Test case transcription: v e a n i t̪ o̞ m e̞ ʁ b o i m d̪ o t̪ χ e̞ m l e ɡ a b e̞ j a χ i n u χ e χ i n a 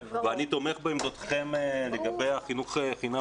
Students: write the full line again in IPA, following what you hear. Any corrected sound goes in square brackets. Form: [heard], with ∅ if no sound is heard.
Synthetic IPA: v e a n i t̪ o̞ m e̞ [χ] b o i m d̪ o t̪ χ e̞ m l e ɡ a b e̞ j a χ i n u χ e χ i n a